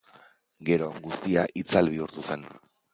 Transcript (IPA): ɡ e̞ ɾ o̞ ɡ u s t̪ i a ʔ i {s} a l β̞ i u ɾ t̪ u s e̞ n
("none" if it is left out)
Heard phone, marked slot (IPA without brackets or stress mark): t͡s